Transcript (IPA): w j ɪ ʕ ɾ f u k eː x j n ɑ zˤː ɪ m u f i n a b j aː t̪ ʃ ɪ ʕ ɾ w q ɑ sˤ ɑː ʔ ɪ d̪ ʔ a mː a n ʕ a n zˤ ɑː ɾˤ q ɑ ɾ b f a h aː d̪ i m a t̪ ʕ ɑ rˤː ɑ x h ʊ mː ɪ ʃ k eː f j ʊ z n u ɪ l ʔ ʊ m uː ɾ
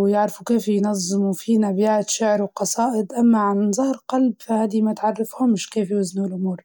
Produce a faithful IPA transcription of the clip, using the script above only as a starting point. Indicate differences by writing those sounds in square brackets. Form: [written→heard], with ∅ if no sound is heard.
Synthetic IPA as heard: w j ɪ ʕ ɾ f u k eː [x→f] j n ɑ zˤː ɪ m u f i n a b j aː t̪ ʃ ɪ ʕ ɾ w q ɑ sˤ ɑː ʔ ɪ d̪ ʔ a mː a [n→∅] ʕ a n zˤ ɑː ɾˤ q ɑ [ɾ→l] b f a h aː d̪ i m a t̪ ʕ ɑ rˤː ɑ [x→f] h ʊ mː ɪ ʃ k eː f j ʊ z n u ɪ l ʔ ʊ m uː ɾ